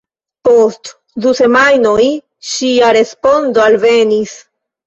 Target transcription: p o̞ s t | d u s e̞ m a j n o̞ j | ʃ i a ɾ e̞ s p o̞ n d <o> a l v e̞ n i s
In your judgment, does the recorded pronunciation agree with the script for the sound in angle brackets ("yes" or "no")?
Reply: yes